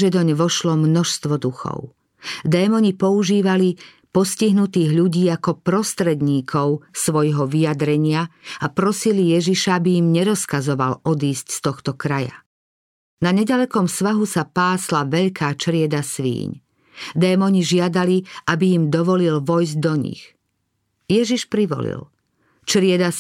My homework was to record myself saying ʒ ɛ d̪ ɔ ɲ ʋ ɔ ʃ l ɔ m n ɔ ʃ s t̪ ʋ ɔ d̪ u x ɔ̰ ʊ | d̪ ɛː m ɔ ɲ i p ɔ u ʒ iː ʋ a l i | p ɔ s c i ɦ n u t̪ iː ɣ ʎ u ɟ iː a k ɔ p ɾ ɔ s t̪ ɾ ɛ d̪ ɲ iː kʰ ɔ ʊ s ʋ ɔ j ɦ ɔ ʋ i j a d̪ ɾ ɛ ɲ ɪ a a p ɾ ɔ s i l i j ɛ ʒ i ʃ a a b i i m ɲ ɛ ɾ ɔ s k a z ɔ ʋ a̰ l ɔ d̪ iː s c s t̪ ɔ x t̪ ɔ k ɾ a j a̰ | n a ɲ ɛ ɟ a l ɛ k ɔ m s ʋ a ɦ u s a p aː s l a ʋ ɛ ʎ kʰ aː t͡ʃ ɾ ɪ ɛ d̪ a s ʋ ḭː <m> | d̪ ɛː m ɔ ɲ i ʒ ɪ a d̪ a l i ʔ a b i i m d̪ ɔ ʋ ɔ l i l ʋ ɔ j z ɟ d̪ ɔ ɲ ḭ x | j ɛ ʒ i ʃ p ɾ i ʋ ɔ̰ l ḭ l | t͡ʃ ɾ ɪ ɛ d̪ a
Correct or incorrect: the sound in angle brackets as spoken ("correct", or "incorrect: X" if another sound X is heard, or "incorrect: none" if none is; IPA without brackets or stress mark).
incorrect: ɲ